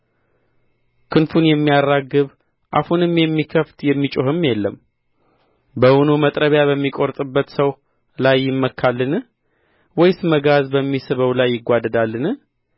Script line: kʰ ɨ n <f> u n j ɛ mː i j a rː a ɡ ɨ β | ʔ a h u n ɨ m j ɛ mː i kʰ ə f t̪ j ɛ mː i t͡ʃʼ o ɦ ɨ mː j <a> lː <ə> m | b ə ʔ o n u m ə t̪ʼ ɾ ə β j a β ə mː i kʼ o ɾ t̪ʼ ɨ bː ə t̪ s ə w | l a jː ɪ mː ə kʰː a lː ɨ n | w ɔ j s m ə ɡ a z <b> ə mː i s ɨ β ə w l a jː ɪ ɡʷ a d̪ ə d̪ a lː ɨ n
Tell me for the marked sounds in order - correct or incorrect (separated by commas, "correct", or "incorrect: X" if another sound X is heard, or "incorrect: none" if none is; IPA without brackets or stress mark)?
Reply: correct, incorrect: ɛ, correct, correct